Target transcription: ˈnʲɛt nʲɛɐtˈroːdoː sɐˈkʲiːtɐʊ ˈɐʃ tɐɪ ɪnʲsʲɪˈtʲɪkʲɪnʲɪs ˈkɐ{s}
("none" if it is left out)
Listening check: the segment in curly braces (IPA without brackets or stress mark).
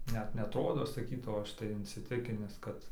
t